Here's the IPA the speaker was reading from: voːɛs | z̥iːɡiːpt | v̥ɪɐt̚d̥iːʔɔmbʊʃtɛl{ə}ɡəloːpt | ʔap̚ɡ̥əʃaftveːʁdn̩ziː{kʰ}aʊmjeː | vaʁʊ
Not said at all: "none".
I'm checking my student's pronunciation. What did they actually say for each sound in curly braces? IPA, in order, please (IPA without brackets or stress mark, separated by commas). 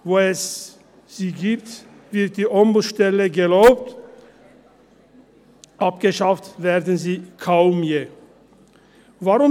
ə, kʰ